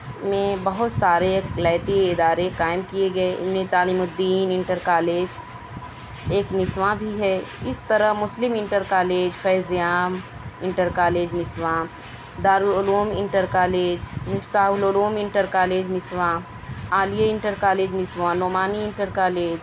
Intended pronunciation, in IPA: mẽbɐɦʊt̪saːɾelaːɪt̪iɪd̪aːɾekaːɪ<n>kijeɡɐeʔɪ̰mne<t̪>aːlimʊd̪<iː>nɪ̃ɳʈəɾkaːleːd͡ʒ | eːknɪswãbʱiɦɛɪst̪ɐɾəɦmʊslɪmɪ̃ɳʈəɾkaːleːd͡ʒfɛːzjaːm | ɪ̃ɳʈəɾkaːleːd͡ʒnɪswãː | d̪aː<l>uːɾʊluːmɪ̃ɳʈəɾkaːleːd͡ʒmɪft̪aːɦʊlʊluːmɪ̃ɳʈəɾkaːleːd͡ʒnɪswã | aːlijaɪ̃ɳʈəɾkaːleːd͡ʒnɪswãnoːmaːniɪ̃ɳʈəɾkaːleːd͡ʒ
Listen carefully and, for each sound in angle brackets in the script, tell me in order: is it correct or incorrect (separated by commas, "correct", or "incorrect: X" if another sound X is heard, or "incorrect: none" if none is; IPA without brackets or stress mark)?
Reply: incorrect: m, correct, correct, incorrect: ɾ